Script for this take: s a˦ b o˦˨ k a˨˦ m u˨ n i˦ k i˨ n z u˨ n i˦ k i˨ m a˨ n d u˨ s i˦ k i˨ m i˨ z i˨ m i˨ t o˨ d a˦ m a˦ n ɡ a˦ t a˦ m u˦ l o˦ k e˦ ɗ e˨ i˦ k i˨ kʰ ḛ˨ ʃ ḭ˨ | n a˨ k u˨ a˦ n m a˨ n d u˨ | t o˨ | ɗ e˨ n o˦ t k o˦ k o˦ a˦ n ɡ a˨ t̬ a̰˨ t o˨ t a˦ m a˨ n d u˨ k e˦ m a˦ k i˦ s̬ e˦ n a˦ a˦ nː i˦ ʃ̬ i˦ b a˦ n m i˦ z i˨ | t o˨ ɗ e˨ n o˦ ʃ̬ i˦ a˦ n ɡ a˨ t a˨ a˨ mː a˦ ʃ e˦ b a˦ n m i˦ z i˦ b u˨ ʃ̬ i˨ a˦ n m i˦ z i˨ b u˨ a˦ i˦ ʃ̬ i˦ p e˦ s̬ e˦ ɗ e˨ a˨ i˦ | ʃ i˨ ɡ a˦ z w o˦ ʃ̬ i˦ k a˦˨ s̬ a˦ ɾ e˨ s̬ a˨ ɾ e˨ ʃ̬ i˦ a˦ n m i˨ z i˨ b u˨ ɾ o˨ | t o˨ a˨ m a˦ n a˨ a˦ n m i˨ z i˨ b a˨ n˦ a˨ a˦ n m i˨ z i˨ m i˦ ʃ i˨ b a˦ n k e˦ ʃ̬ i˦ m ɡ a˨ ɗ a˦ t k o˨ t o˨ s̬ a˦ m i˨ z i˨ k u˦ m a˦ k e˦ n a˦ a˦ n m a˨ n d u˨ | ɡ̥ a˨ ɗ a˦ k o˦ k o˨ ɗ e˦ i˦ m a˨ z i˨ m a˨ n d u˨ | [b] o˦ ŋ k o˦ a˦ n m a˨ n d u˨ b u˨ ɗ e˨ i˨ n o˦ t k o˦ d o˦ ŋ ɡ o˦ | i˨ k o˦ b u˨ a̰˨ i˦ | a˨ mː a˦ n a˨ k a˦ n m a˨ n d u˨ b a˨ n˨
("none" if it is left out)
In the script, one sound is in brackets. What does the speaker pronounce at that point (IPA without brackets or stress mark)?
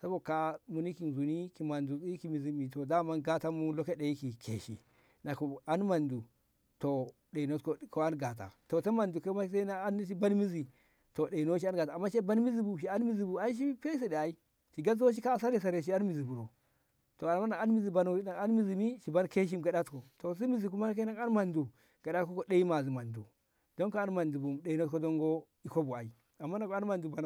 d